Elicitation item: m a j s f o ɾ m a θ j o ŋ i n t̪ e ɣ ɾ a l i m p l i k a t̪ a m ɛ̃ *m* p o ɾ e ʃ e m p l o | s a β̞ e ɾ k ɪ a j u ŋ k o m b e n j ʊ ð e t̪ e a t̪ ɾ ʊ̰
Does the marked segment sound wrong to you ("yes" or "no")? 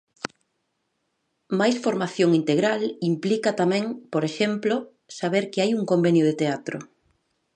yes